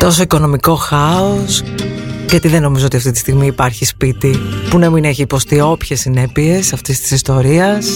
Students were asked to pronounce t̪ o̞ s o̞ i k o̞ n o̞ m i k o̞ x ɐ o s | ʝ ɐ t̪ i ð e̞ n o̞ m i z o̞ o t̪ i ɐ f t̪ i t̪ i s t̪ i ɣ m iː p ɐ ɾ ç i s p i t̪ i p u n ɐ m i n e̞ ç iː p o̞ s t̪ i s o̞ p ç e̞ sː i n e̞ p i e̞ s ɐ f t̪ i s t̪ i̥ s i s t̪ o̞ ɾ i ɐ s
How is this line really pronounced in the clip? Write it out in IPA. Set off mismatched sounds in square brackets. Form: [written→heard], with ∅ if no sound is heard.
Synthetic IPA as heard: t̪ o̞ s o̞ i k o̞ n o̞ m i k o̞ x ɐ o s | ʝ ɐ t̪ i ð e̞ n o̞ m i z o̞ o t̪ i ɐ f t̪ i t̪ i s t̪ i ɣ m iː p ɐ ɾ ç i s p i t̪ i p u n ɐ m i n e̞ ç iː p o̞ s t̪ i [s→∅] o̞ p ç e̞ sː i n e̞ p i e̞ s ɐ f t̪ i s t̪ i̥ s i s t̪ o̞ ɾ i ɐ s